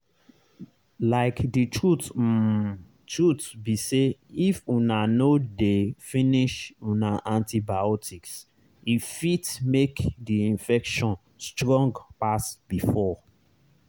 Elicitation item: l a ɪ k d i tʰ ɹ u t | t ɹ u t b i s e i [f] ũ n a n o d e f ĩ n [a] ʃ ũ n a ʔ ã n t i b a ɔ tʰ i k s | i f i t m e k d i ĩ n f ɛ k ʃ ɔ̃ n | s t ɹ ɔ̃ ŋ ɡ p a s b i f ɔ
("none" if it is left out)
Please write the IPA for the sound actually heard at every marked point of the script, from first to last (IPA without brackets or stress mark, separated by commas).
f, i